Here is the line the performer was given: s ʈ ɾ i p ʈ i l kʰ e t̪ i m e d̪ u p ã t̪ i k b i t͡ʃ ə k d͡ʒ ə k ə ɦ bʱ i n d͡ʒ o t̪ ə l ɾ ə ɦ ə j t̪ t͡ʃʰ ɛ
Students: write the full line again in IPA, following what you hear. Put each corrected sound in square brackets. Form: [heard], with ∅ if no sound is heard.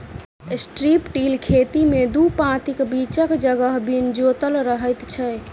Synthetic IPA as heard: s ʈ ɾ i p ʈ i l kʰ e t̪ i m e d̪ u p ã t̪ i k b i t͡ʃ ə k d͡ʒ ə [ɡ] ə ɦ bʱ i n d͡ʒ o t̪ ə l ɾ ə ɦ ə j t̪ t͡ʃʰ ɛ